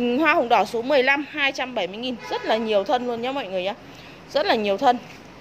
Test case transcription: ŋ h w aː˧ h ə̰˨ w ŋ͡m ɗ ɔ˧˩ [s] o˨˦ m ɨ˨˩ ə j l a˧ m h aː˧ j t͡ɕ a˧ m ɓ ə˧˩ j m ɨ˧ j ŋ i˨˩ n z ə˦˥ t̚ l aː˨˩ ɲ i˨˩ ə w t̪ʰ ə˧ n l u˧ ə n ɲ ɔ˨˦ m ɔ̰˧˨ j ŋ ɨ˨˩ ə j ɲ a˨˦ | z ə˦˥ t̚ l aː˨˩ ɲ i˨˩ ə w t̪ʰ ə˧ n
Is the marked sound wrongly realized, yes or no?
no